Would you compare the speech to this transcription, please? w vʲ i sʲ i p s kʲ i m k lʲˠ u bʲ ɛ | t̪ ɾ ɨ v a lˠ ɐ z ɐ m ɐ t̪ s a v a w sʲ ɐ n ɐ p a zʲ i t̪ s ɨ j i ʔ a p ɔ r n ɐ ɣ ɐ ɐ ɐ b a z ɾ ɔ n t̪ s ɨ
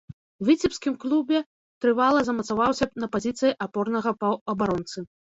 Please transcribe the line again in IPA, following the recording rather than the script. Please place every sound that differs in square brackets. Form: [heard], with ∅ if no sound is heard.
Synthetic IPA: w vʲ i [t͡sʲ] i p s kʲ i m k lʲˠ u bʲ ɛ | t̪ ɾ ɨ v a lˠ ɐ z ɐ m ɐ t̪ s a v a w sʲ ɐ n ɐ p a zʲ i t̪ s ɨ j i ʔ a p ɔ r n ɐ ɣ ɐ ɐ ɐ b a [∅] ɾ ɔ n t̪ s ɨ